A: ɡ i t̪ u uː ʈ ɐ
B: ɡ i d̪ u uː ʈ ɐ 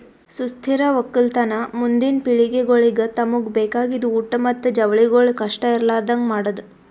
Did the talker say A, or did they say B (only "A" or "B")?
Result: B